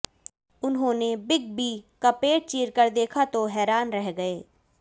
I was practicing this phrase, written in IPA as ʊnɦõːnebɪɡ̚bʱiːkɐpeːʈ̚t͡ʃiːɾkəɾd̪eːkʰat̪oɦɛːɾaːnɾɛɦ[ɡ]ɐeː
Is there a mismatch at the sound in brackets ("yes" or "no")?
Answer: no